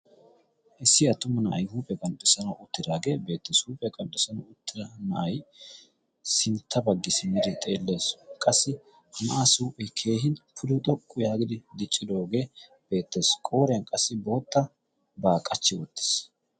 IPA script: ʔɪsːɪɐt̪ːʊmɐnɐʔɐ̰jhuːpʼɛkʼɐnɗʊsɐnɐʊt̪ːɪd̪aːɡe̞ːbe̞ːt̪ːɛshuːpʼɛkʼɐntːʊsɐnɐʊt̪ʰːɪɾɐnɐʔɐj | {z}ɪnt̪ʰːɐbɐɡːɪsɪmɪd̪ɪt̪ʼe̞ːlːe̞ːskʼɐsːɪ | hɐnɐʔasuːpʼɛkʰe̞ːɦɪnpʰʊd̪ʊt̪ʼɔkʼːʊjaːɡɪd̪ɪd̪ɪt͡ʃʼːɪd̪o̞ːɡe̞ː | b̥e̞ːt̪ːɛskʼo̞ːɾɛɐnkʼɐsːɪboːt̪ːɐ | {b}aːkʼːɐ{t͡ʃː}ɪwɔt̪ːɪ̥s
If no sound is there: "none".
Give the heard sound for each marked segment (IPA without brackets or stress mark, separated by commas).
s, b, t͡ʃː